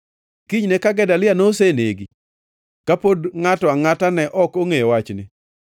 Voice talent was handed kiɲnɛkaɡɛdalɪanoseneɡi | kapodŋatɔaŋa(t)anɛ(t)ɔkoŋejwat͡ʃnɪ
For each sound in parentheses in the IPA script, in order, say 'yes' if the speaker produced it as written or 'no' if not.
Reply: yes, no

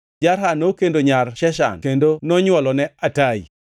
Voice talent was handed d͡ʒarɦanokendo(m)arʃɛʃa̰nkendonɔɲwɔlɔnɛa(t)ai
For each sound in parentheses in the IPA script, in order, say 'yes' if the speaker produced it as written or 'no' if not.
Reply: no, yes

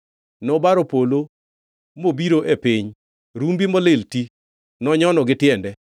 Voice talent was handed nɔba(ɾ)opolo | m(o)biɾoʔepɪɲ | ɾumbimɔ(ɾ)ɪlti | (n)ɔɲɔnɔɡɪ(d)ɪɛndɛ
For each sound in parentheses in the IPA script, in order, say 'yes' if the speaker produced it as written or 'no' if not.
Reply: yes, yes, no, yes, no

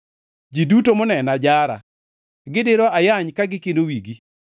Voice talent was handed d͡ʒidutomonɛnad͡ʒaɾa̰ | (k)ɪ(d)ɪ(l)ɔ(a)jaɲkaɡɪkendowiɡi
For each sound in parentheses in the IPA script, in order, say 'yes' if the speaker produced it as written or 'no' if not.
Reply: no, yes, no, yes

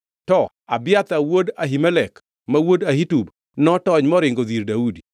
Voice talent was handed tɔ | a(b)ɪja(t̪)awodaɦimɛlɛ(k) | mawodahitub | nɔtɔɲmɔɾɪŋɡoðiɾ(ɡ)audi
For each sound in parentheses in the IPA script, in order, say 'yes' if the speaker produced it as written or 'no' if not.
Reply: yes, yes, yes, no

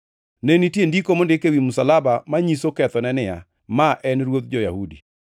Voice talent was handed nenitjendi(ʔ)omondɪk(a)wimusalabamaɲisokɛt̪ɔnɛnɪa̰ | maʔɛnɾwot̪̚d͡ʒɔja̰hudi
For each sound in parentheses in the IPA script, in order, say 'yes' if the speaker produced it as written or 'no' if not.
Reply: no, no

